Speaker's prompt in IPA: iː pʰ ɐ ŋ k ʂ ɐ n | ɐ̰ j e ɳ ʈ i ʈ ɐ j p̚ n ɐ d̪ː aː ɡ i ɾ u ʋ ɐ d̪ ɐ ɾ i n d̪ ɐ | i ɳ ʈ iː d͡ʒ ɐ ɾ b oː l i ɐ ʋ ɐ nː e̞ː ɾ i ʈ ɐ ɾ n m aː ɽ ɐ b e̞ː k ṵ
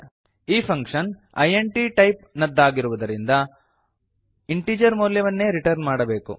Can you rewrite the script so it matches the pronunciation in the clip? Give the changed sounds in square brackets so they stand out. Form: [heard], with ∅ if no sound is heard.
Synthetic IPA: iː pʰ ɐ ŋ k ʂ ɐ n | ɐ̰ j e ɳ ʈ i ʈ ɐ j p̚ n ɐ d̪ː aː ɡ i ɾ u ʋ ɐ d̪ ɐ ɾ i n d̪ ɐ | i ɳ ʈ iː d͡ʒ ɐ ɾ [m] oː l [j] ɐ ʋ ɐ nː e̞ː ɾ i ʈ ɐ ɾ n m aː ɽ ɐ b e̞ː k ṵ